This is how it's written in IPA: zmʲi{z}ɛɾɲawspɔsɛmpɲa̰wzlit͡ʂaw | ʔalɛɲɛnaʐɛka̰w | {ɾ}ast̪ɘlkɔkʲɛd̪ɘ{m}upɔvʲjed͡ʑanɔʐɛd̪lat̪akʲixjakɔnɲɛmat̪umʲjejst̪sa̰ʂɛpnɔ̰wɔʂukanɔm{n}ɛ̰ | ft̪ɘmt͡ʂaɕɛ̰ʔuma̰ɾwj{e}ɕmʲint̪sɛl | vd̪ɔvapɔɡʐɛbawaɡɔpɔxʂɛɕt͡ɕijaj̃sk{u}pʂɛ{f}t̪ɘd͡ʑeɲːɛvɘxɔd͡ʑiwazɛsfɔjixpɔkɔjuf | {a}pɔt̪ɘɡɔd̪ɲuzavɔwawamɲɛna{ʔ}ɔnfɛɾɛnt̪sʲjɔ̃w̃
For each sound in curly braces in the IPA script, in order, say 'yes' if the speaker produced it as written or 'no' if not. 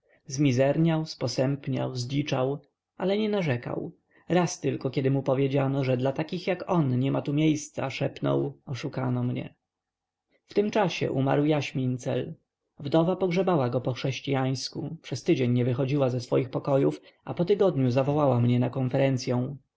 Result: yes, yes, yes, no, no, yes, no, yes, no

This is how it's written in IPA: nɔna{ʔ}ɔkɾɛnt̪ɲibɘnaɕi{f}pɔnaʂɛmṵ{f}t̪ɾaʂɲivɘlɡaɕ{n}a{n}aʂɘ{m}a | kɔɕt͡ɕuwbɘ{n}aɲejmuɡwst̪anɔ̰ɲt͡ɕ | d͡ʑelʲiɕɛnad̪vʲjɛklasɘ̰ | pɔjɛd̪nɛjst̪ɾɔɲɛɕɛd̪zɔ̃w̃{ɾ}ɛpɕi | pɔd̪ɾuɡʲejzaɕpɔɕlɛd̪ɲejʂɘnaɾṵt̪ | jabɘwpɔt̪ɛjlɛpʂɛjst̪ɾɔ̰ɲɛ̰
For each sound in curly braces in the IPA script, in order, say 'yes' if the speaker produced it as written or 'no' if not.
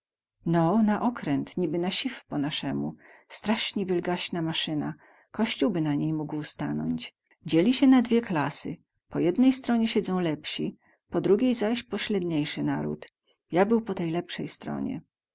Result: yes, yes, no, yes, no, no, yes, no

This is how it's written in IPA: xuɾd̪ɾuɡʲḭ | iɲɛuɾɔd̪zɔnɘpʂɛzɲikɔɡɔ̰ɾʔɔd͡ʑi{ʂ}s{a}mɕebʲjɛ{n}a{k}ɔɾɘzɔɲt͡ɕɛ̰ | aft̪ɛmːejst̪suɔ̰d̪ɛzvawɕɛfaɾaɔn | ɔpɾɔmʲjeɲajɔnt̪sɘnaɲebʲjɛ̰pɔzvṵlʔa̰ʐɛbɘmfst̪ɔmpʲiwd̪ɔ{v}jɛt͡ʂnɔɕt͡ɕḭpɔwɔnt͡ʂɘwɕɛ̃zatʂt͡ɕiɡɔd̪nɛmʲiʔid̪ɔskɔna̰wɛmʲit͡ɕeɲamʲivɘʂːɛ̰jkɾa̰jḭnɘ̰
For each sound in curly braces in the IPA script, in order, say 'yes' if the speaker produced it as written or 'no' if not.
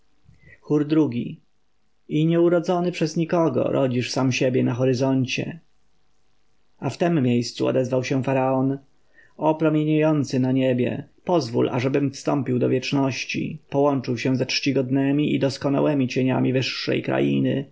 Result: yes, yes, yes, no, yes

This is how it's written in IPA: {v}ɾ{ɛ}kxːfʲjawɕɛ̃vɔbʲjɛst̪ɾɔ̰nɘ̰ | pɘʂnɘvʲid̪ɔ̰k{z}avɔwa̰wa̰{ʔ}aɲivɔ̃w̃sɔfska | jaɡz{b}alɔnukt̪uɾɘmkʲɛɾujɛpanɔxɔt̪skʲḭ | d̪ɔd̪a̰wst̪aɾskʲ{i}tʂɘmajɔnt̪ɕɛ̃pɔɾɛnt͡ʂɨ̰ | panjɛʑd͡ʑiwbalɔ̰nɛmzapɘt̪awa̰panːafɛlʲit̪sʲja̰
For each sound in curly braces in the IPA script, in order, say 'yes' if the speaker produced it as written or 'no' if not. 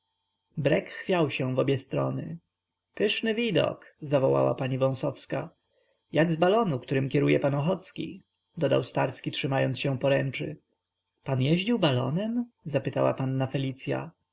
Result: no, yes, yes, no, yes, yes

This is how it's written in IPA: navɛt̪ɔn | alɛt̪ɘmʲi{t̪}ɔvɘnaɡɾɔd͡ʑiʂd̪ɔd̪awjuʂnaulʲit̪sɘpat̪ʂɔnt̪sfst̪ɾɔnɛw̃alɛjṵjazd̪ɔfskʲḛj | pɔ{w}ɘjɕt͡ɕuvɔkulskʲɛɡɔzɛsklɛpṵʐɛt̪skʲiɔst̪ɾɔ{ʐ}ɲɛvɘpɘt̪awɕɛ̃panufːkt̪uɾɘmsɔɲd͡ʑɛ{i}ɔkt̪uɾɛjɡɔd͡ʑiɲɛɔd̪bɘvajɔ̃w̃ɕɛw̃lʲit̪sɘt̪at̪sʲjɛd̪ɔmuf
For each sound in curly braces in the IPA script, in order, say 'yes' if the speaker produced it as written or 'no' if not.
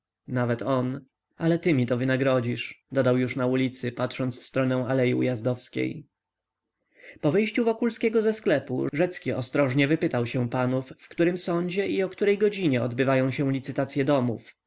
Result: yes, no, yes, yes

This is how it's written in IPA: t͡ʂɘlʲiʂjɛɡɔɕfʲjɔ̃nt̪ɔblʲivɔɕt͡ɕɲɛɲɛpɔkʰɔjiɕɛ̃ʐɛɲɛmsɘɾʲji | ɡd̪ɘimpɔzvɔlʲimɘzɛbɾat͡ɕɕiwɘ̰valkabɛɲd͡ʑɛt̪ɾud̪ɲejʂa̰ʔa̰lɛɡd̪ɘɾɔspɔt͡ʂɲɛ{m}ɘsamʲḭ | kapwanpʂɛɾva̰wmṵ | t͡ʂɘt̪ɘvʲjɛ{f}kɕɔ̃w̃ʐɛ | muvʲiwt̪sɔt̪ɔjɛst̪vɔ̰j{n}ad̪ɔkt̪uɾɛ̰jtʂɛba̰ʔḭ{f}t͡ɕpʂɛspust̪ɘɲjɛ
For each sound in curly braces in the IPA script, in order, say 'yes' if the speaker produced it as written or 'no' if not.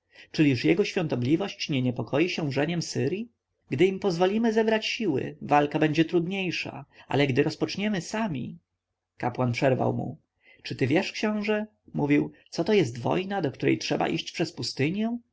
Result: yes, no, yes, no

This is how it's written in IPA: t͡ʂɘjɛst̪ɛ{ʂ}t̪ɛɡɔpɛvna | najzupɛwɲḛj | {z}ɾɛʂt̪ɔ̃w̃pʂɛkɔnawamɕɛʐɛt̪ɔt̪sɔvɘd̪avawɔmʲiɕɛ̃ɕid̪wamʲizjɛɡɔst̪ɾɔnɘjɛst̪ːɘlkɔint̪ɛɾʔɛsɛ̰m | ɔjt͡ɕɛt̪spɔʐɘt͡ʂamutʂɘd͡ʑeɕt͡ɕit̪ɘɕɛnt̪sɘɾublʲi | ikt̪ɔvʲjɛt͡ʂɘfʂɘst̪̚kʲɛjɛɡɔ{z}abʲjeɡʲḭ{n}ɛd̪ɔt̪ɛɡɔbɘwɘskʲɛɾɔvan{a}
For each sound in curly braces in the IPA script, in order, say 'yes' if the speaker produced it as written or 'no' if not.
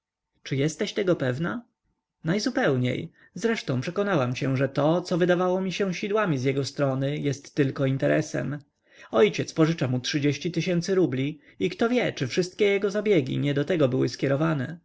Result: no, yes, yes, no, no

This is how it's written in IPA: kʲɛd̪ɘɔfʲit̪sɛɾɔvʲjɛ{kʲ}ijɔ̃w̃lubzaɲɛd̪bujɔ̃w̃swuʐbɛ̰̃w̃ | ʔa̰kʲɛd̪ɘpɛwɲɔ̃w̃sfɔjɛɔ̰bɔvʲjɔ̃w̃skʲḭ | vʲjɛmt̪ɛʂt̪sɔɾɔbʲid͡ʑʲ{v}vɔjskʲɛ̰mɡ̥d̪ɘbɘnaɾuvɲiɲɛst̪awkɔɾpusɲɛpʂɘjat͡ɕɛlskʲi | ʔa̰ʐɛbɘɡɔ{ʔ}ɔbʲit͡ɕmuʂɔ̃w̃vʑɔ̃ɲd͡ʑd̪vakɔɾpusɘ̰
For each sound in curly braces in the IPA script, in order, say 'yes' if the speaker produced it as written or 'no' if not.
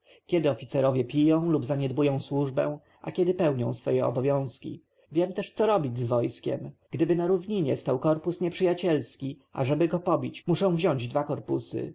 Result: no, no, no

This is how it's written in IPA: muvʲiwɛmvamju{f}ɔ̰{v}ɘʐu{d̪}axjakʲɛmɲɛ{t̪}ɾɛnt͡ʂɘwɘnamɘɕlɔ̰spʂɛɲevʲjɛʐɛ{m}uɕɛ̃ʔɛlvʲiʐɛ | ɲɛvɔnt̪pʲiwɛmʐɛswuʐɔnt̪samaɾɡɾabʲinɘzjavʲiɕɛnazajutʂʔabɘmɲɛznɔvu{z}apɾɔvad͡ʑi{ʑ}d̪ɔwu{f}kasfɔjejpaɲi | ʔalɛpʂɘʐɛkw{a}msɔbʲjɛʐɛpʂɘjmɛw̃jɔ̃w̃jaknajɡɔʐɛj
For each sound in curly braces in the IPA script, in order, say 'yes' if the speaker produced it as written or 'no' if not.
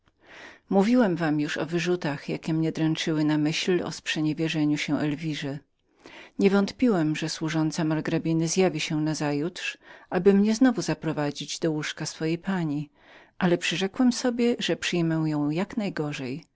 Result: no, yes, no, no, no, yes, no, no, no

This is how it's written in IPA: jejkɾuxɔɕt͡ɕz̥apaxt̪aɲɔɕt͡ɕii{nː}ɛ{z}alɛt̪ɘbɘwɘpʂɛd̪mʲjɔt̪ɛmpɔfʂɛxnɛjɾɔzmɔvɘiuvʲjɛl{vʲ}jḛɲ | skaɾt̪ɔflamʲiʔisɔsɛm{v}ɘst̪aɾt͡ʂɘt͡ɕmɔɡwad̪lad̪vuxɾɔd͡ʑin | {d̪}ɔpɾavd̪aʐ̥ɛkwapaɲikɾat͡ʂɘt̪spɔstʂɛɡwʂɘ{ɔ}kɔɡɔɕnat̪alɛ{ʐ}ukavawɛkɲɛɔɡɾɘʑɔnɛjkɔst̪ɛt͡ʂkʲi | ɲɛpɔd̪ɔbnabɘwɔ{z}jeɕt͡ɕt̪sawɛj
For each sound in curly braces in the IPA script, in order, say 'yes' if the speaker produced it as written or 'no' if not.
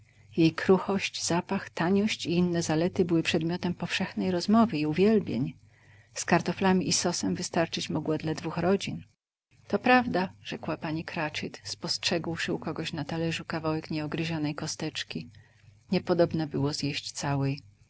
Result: yes, yes, no, yes, no, no, yes, yes

